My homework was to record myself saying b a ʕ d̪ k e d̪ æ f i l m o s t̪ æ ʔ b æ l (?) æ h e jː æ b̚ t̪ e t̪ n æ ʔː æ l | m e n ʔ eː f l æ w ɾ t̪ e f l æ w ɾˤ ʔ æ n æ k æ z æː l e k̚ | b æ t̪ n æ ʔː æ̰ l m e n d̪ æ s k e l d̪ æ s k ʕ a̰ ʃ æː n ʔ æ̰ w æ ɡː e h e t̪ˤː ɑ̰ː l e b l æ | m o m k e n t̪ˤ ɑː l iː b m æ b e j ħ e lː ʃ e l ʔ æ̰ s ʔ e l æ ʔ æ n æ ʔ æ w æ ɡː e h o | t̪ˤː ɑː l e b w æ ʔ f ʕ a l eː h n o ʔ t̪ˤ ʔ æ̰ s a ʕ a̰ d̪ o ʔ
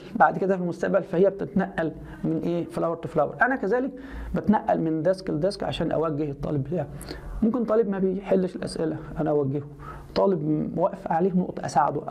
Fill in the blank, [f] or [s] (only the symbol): f